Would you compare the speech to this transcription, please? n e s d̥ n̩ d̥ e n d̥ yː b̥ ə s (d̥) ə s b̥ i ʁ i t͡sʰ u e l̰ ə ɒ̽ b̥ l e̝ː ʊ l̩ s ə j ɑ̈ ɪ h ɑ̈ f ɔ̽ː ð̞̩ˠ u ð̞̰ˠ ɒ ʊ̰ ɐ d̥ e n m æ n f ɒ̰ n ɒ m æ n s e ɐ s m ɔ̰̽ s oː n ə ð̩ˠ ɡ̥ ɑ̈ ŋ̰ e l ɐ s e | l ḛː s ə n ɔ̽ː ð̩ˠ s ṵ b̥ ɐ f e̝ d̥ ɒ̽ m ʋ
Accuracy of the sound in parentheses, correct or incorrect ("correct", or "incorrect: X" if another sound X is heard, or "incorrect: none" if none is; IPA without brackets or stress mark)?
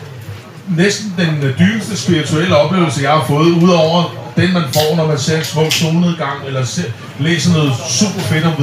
correct